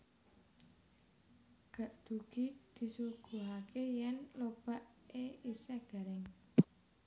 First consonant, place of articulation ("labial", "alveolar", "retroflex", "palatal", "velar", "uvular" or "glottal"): velar